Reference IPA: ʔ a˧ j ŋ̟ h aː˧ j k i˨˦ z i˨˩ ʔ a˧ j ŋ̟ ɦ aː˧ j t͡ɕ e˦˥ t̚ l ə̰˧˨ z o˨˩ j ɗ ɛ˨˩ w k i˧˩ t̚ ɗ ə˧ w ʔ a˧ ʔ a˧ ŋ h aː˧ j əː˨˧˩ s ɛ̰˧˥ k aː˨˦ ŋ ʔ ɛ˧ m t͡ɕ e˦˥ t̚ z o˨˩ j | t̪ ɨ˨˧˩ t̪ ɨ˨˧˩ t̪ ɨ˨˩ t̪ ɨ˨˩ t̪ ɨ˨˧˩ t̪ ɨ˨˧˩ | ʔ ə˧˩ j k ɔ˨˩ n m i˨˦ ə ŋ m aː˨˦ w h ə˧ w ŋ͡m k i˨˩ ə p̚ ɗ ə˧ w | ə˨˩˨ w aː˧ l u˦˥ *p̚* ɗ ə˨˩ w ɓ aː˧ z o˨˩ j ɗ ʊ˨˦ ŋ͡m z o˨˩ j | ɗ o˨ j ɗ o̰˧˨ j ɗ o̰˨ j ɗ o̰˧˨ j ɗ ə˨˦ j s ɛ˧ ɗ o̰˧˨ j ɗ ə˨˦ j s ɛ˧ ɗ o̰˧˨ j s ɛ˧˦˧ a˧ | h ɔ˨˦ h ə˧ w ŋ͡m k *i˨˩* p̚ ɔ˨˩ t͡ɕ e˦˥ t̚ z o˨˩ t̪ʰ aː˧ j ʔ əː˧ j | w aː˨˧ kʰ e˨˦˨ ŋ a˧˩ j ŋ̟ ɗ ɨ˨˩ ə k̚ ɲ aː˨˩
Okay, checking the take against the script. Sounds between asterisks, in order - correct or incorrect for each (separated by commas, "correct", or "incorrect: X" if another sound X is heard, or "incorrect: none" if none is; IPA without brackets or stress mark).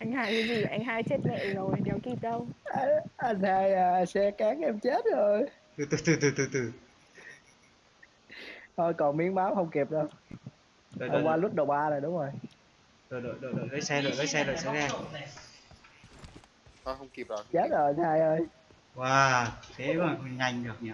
incorrect: t̚, correct